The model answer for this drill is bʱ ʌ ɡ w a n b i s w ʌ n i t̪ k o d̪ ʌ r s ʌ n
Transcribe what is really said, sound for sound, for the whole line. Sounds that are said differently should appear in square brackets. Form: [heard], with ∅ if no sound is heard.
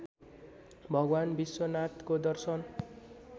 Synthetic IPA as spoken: bʱ ʌ ɡ w a n b i s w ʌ n [a] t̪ k o d̪ ʌ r s ʌ n